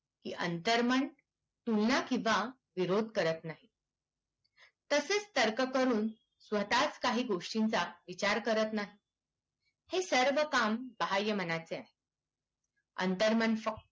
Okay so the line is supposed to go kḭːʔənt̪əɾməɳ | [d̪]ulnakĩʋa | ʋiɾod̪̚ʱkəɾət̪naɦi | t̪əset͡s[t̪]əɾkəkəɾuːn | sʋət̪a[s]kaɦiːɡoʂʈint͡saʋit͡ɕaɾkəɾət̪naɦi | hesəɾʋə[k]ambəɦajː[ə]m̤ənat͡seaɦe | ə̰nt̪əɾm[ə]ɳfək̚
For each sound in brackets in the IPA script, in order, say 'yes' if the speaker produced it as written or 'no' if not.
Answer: no, yes, no, yes, yes, yes

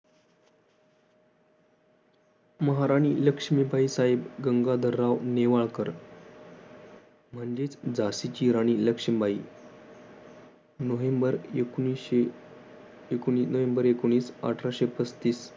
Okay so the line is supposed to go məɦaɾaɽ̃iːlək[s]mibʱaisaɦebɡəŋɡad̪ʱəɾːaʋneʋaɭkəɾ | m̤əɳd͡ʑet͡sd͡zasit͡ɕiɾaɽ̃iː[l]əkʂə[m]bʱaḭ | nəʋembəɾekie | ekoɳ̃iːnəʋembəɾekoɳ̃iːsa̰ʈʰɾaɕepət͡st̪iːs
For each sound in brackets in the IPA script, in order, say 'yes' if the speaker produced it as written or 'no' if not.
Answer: no, yes, yes

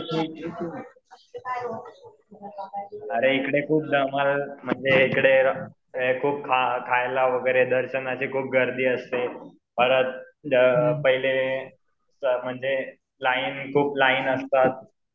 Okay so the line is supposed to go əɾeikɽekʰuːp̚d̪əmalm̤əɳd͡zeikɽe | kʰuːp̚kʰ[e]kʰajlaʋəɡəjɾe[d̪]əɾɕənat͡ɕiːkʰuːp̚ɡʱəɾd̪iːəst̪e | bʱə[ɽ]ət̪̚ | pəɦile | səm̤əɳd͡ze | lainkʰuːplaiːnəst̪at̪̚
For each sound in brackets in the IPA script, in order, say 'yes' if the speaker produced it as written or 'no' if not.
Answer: no, yes, no

